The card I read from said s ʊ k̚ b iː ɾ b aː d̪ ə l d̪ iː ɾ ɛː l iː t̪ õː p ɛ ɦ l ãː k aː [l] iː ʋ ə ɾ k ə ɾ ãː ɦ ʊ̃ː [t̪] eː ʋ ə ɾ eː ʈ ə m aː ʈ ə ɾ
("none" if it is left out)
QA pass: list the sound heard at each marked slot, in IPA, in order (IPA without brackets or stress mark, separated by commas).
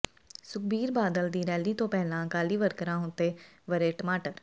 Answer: l, t̪